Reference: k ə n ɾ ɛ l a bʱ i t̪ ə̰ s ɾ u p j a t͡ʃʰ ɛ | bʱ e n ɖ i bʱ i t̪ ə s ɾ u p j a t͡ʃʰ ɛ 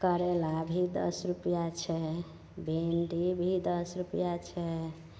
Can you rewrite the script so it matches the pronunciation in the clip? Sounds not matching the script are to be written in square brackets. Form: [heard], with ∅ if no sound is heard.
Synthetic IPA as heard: k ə [∅] ɾ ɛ l a bʱ i [d̪] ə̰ s ɾ u p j a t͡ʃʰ ɛ | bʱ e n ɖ i bʱ i [d̪] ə s ɾ u p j a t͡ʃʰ ɛ